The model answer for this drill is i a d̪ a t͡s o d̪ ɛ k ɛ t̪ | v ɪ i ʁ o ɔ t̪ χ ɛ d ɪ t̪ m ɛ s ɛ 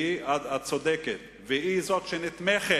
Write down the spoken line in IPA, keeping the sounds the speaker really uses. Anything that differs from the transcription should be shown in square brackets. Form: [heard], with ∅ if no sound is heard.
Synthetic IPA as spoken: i a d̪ a t͡s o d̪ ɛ k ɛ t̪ | v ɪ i [z] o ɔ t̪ [ʃ] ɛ [n] ɪ t̪ m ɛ [χ] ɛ